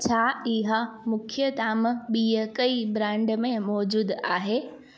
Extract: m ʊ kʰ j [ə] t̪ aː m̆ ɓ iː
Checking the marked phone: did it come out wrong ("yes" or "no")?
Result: no